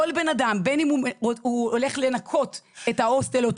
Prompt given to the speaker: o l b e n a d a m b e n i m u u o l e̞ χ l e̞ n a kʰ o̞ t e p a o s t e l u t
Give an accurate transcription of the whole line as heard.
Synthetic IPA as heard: o l b e n a d a m b e n i m u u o l e̞ χ l e̞ n a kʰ o̞ t e t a o s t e l o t